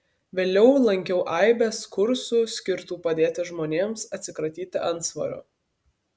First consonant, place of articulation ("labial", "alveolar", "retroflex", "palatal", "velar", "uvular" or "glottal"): labial